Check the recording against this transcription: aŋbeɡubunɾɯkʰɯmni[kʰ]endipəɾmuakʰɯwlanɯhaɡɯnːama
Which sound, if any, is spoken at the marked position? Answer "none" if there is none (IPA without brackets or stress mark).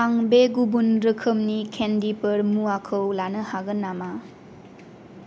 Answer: kʰ